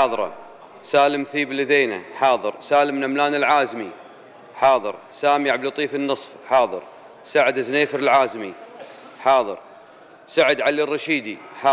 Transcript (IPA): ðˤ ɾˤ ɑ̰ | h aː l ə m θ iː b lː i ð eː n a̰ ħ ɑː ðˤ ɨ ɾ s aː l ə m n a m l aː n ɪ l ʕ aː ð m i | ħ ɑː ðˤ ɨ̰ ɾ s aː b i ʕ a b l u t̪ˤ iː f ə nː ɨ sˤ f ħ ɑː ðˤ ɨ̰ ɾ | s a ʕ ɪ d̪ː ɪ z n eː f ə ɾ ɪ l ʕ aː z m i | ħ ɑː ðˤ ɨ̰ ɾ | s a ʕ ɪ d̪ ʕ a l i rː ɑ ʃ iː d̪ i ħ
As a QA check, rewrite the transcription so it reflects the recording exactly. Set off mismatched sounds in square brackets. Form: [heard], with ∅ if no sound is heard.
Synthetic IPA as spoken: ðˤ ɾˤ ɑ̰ | [s] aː l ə m θ iː b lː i ð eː n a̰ ħ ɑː ðˤ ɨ ɾ s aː l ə m n a m l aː n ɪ l ʕ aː [z] m i | ħ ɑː ðˤ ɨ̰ ɾ s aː [m] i ʕ a b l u t̪ˤ iː f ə nː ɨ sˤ f ħ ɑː ðˤ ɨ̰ ɾ | s a ʕ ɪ [d̪] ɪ z n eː f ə ɾ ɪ l ʕ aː z m i | ħ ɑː ðˤ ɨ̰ ɾ | s a ʕ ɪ d̪ ʕ a l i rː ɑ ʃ iː d̪ i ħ